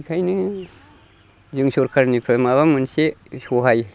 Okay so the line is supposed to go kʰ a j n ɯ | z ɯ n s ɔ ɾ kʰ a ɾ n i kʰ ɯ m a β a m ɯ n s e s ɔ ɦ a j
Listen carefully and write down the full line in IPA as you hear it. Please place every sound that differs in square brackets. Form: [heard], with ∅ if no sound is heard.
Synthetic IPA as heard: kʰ a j n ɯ | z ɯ [ŋ] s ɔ ɾ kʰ a ɾ n i [pʰ] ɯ m a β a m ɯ n s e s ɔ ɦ a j